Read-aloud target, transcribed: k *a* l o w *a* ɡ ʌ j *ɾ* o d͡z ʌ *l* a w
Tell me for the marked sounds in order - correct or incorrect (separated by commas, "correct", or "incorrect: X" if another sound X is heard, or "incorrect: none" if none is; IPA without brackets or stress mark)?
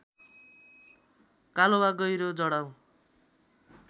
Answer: correct, correct, correct, incorrect: ɽ